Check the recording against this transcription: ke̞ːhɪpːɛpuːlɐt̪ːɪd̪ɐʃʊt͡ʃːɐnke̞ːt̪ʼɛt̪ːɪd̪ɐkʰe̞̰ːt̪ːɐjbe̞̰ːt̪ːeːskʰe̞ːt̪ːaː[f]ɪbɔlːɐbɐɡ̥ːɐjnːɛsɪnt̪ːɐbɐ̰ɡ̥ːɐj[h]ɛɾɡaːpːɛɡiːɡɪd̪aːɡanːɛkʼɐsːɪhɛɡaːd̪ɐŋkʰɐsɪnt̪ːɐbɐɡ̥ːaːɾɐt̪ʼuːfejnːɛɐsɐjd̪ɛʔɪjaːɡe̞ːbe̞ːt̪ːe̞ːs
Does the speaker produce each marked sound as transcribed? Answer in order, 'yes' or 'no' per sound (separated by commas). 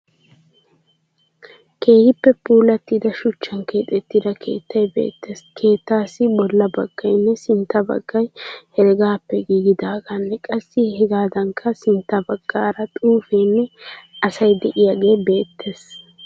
no, yes